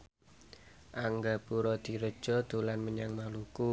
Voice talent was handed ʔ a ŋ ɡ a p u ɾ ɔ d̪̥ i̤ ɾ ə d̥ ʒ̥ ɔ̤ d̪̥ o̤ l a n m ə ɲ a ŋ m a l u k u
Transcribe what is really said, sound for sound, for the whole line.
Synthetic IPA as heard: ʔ a ŋ ɡ a p u ɾ ɔ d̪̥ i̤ ɾ ə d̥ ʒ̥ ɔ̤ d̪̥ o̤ l a n m ə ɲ a ŋ m a l u k u